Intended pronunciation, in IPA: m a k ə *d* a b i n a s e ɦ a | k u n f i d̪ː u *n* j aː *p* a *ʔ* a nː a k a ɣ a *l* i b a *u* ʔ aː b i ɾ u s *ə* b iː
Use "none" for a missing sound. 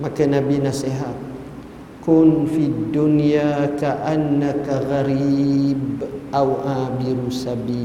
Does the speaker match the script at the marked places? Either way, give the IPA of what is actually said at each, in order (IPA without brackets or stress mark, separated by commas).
n, n, k, ʔ, ɾ, w, a